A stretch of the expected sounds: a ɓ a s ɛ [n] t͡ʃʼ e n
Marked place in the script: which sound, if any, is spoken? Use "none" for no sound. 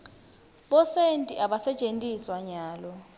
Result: none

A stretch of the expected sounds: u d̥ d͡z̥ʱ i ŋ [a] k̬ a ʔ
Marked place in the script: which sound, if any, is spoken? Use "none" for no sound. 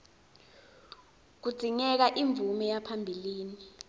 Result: ɛ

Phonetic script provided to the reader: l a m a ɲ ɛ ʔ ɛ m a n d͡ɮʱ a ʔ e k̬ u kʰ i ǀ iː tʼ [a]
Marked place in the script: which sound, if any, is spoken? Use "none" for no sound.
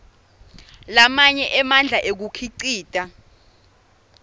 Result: a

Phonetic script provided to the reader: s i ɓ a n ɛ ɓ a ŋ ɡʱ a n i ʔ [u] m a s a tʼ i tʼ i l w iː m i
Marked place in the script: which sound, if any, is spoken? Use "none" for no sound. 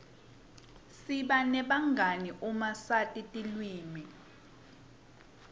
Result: u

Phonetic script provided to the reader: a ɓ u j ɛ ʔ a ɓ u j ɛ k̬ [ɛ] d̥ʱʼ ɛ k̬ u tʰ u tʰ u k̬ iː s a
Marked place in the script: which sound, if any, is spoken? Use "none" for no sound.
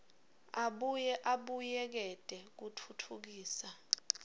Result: ɛ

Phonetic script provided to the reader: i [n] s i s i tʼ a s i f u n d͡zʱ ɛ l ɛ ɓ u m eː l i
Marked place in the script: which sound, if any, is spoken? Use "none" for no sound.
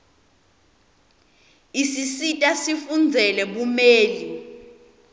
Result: none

